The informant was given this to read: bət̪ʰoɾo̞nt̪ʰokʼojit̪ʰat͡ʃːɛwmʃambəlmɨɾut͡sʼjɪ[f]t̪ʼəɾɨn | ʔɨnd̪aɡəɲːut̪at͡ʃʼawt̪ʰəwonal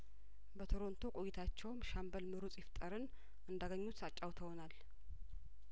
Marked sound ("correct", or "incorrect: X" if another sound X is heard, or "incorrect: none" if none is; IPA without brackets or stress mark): correct